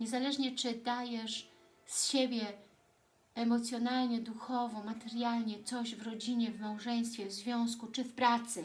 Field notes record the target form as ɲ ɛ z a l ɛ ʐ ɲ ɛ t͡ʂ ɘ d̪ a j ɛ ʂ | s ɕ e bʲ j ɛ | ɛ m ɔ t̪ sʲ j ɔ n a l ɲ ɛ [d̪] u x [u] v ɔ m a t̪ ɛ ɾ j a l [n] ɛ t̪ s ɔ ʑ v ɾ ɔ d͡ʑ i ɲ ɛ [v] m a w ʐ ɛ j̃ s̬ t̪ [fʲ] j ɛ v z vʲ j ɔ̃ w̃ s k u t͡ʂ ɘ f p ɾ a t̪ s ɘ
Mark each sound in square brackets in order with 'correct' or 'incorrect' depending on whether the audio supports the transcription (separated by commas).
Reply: correct, incorrect, incorrect, correct, correct